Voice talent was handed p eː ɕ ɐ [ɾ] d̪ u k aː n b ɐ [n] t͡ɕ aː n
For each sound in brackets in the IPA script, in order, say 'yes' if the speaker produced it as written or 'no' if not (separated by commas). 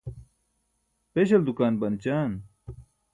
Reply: no, yes